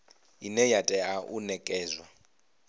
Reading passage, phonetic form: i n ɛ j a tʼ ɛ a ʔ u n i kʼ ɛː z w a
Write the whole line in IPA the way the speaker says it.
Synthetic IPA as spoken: i n ɛ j a tʼ ɛ a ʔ u n ɛ kʼ ɛː z w a